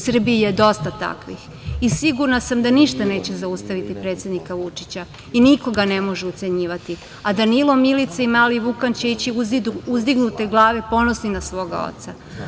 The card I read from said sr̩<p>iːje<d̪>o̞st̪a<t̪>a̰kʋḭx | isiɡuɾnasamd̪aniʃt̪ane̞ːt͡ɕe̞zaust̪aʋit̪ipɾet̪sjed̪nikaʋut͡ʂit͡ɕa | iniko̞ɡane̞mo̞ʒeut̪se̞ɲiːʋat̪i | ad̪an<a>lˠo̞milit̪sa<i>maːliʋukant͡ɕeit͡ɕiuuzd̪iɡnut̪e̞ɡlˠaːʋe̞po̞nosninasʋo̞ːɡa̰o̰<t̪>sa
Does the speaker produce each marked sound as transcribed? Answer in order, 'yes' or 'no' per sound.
no, yes, yes, no, yes, yes

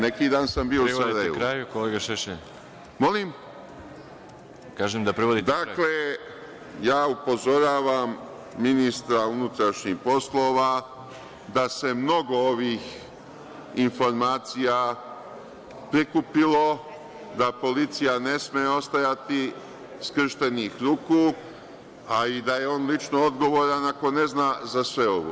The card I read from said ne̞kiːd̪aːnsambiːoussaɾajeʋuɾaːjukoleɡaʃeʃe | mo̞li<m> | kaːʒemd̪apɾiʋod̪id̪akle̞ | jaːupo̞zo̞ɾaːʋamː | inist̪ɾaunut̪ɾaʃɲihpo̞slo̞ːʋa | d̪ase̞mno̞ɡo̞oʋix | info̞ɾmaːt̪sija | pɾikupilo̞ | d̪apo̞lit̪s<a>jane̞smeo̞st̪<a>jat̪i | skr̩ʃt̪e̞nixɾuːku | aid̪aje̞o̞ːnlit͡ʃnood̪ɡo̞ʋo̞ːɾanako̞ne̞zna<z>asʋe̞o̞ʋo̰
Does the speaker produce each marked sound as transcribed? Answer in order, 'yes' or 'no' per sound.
yes, no, yes, yes

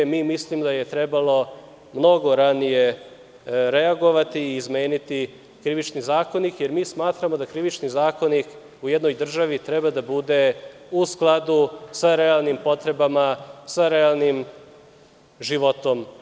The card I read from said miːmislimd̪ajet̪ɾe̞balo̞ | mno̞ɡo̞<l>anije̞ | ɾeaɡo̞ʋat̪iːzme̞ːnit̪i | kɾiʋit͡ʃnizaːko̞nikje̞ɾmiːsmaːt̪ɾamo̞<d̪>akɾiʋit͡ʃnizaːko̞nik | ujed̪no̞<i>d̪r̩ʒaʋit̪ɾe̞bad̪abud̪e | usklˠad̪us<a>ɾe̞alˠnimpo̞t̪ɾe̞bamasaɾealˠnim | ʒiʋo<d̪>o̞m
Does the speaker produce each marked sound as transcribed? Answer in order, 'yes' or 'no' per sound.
no, yes, no, yes, no

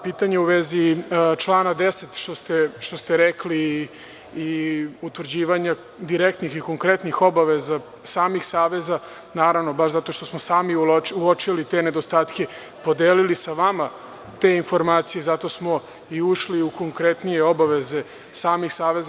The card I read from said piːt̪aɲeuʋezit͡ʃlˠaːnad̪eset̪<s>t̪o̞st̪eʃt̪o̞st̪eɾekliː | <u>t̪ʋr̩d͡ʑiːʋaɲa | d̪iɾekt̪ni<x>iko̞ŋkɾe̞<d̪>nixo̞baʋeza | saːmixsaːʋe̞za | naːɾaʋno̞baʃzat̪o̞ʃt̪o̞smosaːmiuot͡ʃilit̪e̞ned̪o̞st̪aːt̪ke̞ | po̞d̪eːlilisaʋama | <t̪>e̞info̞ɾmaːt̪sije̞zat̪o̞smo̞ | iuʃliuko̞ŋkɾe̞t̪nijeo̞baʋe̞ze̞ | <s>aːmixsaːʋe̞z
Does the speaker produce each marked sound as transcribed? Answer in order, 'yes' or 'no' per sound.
no, yes, yes, no, yes, yes

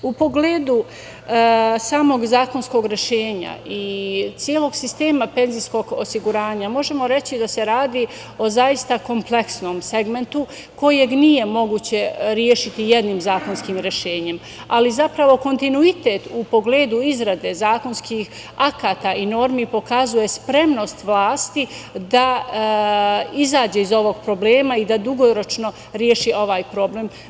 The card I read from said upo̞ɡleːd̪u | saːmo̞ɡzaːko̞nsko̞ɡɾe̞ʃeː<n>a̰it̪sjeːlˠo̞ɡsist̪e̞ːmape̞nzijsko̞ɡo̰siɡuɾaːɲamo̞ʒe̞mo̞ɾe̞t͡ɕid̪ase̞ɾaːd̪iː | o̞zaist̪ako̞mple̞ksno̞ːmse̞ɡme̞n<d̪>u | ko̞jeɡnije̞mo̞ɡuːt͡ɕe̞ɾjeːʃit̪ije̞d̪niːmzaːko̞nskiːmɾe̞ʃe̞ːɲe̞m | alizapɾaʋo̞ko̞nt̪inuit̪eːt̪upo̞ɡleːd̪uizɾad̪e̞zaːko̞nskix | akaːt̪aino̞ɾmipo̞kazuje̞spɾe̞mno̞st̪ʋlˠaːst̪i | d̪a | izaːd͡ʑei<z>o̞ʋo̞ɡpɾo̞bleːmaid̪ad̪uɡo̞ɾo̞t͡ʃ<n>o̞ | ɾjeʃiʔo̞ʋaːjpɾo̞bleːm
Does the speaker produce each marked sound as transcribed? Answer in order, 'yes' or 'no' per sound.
no, no, yes, yes

